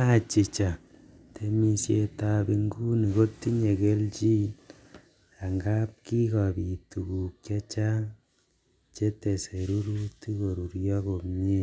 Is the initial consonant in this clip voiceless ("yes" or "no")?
yes